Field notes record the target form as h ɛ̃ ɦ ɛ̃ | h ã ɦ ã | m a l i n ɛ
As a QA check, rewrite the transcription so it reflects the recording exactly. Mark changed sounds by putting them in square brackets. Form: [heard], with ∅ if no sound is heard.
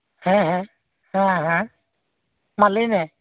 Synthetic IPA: h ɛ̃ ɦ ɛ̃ | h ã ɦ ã | m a l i n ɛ

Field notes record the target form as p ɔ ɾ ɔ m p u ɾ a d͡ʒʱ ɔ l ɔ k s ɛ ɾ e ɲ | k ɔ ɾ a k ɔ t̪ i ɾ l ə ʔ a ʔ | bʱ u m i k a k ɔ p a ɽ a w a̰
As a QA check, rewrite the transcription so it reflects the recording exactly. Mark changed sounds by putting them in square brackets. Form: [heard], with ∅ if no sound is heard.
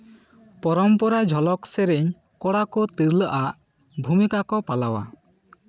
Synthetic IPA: p ɔ ɾ ɔ m p [ɔ] ɾ a d͡ʒʱ ɔ l ɔ k s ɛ ɾ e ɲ | k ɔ [ɽ] a k ɔ t̪ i ɾ l ə ʔ a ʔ | bʱ u m i k a k ɔ p a [l] a w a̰

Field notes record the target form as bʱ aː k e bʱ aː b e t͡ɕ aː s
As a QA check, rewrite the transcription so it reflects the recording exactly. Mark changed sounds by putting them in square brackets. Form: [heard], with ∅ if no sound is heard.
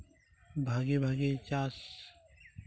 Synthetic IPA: bʱ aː [ɡ] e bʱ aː [ɡ] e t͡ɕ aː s

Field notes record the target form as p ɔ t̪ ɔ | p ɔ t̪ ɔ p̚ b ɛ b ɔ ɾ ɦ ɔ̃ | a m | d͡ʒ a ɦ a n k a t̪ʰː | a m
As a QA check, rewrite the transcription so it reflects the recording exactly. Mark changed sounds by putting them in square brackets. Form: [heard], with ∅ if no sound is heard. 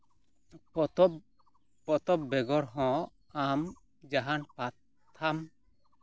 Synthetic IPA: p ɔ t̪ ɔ | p ɔ t̪ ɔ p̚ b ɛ [ɡ] ɔ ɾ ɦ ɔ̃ | a m | d͡ʒ a ɦ a n [p] a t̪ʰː | a m

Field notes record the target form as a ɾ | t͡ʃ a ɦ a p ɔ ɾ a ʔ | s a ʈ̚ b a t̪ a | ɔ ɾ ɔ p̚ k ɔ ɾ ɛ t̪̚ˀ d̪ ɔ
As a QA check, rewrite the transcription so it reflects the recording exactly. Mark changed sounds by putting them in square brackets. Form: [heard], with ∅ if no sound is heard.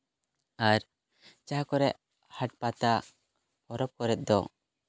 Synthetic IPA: a ɾ | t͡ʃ a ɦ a [k] ɔ ɾ [ɛ] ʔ | [h] a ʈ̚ [p] a t̪ a | ɔ ɾ ɔ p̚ k ɔ ɾ ɛ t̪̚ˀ d̪ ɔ

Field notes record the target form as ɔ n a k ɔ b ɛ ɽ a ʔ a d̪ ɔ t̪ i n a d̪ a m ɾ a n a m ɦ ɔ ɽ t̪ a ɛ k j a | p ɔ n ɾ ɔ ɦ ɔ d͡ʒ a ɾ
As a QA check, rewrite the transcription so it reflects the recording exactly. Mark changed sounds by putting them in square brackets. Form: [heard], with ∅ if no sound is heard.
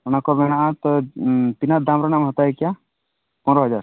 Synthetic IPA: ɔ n a k ɔ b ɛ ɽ a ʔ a [t̪] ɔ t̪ i n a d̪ a m ɾ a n a m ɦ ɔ [∅] t̪ a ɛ k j a | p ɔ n ɾ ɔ ɦ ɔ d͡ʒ a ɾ

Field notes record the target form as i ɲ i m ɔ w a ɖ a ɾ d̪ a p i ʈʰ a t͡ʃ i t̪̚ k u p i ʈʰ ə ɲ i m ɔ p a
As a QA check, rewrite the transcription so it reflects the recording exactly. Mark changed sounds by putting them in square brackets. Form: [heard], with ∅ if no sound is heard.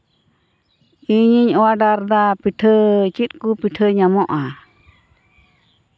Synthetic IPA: i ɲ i [ɲ] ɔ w a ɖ a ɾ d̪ a p i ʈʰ [ə] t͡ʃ i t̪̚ k u p i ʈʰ ə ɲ [a] m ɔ [ʔ] a

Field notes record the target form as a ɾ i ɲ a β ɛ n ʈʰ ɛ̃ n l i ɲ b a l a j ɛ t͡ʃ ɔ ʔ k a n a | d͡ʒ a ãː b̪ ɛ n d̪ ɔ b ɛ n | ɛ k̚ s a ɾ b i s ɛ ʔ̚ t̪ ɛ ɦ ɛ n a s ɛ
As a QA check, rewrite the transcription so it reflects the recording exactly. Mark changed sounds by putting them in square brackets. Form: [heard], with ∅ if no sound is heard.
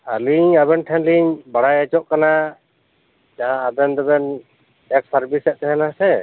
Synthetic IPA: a [l] i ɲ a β ɛ n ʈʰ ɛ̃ n l i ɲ b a [ɽ] a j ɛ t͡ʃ ɔ ʔ k a n a | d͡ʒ a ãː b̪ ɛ n d̪ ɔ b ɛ n | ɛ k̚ s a ɾ b i s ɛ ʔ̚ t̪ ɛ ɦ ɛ n a s ɛ

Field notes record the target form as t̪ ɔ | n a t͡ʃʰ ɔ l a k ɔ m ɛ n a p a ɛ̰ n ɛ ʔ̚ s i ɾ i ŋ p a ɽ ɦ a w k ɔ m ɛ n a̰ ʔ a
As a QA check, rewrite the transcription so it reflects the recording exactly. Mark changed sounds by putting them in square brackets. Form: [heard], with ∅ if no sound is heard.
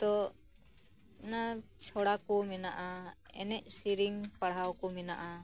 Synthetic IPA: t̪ ɔ | n a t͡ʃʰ ɔ [ɽ] a k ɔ m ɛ n a [ʔ] a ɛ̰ n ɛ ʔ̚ s i ɾ i ŋ p a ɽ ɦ a w k ɔ m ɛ n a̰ ʔ a

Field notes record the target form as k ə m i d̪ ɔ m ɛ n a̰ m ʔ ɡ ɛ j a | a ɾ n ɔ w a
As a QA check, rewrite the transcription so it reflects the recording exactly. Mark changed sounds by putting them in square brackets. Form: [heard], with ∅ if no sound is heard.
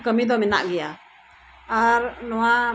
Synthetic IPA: k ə m i d̪ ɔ m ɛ n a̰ [∅] ʔ ɡ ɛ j a | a ɾ n ɔ w a

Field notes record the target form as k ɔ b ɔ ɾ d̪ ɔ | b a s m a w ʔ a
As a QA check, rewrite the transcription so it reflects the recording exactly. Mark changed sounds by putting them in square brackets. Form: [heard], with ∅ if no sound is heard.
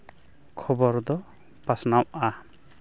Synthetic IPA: [kʰ] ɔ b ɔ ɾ d̪ ɔ | [p] a s [n] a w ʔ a

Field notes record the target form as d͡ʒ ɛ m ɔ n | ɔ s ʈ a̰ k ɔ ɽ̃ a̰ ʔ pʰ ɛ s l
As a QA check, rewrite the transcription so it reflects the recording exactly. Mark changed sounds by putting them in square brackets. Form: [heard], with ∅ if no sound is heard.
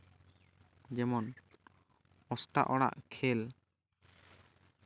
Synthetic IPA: d͡ʒ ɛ m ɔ n | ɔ s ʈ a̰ [ʔ] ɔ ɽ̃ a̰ ʔ [kʰ] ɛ [∅] l

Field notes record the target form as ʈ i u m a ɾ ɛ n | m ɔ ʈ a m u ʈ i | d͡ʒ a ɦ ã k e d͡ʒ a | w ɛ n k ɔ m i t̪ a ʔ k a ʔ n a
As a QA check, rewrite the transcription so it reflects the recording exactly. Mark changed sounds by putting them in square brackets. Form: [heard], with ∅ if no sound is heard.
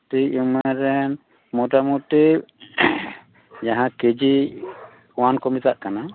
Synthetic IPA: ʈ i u m a ɾ ɛ n | m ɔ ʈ a m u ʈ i | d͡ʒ a ɦ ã k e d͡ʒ [i] | w [a] n k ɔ m i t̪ a ʔ k a [∅] n a

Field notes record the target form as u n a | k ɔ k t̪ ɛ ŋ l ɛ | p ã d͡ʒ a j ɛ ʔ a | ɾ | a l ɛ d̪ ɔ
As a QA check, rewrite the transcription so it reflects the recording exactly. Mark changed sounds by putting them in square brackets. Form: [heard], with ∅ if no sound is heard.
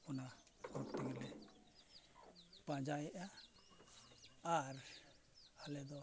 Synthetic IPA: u n a | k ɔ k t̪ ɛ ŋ l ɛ | p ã d͡ʒ a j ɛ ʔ a | ɾ | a l ɛ d̪ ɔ

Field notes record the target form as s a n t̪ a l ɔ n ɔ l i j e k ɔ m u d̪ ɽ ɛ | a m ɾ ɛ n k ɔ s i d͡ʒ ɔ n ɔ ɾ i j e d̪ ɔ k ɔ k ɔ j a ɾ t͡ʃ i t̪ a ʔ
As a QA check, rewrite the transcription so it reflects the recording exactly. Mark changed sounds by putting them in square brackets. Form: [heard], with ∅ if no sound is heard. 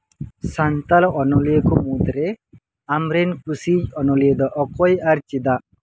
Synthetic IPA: s a n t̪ a l ɔ n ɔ l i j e k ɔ m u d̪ [ɾ] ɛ | a m ɾ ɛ n k [u] s i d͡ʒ ɔ n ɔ [l] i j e d̪ ɔ [ʔ] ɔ k ɔ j a ɾ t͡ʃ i [d̪] a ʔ

